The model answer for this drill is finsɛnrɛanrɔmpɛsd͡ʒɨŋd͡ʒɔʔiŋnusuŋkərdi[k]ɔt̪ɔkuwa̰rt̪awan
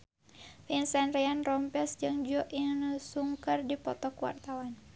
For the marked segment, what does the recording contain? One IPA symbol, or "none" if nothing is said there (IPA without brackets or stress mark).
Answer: p